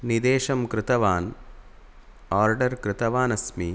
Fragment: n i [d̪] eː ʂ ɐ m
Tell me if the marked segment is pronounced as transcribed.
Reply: yes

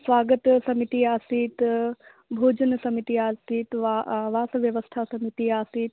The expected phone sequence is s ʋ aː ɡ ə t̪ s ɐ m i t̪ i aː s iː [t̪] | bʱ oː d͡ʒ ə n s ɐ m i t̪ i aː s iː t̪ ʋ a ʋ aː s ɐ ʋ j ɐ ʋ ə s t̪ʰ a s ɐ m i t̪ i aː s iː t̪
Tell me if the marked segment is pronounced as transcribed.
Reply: yes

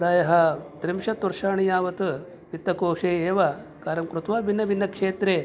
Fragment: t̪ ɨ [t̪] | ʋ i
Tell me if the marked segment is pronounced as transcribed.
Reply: no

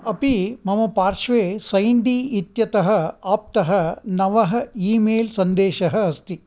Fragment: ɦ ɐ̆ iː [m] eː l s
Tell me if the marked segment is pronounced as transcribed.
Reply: yes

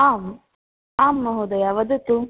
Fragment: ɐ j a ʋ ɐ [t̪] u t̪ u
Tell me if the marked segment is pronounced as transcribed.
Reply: no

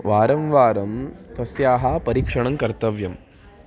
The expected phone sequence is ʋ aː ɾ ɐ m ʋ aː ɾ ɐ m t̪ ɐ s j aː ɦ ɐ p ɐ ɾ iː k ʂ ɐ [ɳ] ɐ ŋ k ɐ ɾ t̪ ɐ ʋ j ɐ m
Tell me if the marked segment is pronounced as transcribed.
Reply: yes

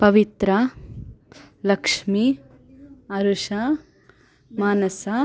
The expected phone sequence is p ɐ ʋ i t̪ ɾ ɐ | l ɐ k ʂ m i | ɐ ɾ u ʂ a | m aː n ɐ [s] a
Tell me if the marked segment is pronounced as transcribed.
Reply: yes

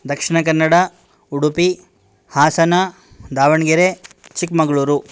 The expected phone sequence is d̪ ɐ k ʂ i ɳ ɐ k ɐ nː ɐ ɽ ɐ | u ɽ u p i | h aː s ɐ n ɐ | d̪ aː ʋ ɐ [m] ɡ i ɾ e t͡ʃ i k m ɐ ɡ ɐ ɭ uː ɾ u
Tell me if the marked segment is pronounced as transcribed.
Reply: no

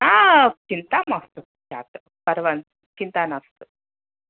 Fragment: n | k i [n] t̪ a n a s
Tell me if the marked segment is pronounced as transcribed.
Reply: yes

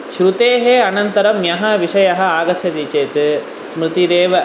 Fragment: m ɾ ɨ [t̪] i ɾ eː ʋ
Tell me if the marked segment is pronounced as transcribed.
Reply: yes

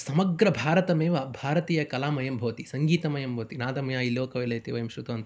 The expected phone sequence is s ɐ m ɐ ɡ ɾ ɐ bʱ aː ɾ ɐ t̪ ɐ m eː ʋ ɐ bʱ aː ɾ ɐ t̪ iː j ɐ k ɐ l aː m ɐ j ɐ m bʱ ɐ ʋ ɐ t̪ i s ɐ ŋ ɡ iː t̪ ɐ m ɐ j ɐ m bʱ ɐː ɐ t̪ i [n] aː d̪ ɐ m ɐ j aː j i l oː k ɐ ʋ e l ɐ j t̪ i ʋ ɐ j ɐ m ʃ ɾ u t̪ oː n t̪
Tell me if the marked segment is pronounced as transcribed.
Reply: yes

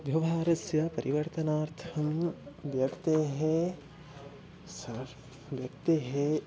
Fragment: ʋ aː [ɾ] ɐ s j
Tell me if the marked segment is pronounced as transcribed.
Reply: yes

